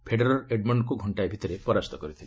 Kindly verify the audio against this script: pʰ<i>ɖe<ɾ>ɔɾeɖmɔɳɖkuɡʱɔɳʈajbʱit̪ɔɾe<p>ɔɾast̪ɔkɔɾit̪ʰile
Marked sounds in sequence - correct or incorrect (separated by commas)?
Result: incorrect, correct, correct